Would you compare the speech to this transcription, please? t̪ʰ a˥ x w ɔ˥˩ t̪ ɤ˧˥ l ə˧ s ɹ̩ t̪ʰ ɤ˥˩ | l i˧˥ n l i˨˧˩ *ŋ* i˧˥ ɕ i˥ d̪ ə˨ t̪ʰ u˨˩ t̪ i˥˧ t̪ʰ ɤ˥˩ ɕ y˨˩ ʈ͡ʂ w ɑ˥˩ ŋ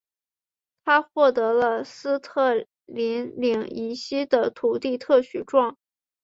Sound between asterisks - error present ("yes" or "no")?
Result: no